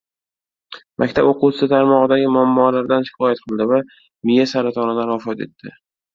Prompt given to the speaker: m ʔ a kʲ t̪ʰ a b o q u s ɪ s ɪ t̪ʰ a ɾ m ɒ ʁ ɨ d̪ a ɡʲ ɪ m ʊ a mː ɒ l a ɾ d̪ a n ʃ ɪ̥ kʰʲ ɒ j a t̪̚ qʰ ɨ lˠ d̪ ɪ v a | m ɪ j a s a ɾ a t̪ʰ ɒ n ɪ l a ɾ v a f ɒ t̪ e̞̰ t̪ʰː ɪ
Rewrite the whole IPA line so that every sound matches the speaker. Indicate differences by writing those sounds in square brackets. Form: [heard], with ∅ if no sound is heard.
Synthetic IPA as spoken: m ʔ a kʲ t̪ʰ a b o q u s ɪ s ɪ t̪ʰ a ɾ m ɒ ʁ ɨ d̪ a ɡʲ ɪ m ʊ a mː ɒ l a ɾ d̪ a n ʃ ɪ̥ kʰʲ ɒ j a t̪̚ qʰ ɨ lˠ d̪ ɪ v a | m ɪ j a s a ɾ a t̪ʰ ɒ n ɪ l a ɾ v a f ɒ t̪ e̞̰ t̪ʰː ɪ